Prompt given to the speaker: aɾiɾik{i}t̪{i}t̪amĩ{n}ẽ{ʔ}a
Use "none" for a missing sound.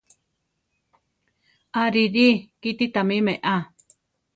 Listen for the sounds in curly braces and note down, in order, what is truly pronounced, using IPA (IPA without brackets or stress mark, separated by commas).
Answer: i, i, m, ʔ